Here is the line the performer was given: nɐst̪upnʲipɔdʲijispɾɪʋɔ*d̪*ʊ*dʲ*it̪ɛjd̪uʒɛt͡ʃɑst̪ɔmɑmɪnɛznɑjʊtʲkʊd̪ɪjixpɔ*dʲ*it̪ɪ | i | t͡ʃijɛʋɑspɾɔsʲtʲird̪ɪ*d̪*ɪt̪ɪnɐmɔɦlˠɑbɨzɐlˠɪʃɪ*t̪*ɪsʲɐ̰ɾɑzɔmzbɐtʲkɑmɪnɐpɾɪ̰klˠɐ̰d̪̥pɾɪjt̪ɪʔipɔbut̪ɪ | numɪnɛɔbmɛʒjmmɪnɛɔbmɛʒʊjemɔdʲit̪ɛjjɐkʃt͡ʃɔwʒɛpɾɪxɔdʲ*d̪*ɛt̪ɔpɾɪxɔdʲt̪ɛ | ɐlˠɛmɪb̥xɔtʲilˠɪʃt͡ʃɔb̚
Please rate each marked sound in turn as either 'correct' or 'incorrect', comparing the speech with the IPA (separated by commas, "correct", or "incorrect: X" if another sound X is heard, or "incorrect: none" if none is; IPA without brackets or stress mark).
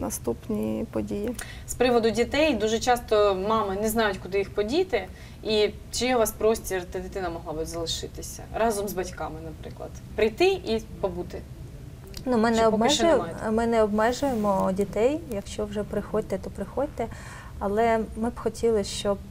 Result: correct, correct, correct, correct, correct, incorrect: t̪